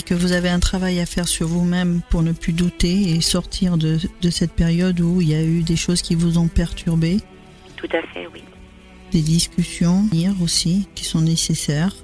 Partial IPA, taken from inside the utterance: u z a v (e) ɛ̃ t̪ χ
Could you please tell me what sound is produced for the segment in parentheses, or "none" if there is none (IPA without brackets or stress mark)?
e